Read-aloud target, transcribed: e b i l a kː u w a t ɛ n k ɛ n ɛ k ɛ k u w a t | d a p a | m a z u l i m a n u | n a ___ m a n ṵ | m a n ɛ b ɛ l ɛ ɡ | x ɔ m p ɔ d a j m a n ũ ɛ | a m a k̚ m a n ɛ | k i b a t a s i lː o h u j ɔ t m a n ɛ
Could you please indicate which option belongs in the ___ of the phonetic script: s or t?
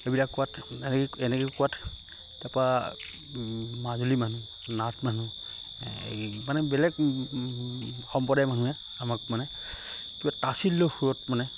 t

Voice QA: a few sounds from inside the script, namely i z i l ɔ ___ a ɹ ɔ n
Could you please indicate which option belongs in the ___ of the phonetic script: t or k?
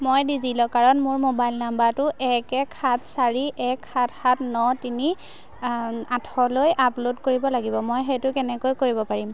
k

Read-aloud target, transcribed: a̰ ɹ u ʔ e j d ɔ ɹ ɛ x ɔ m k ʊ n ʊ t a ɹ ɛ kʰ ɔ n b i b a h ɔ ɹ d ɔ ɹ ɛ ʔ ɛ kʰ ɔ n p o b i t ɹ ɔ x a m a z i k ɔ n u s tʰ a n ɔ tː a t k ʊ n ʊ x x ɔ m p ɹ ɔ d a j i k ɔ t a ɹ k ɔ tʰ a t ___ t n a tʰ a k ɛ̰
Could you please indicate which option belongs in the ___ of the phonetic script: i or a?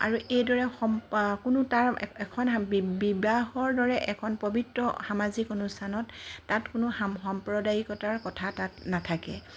a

